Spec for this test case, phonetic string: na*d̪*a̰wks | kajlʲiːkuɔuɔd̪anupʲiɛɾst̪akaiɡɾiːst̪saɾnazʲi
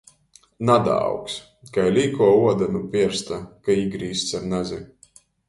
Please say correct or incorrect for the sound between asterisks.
correct